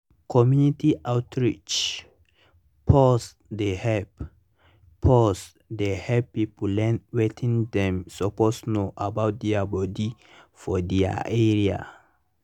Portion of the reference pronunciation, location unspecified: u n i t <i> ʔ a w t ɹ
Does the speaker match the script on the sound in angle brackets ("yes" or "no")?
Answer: yes